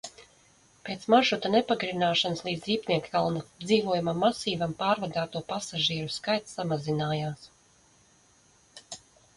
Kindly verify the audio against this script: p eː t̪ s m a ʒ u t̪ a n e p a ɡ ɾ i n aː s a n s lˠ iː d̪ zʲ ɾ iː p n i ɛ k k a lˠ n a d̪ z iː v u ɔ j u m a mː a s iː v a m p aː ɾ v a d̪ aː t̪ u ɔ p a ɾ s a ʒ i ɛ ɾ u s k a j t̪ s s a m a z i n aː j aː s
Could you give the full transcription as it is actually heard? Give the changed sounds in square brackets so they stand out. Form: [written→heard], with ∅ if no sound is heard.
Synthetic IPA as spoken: p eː t̪ s m a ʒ u t̪ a n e p a ɡ ɾ i n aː [s→ʃ] a n s lˠ iː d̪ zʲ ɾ iː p n i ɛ k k a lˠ n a d̪ z iː v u ɔ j u m a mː a s iː v a m p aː ɾ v a d̪ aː t̪ u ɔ p a [ɾ→∅] s a ʒ i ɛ ɾ u s k a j t̪ s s a m a z i n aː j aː s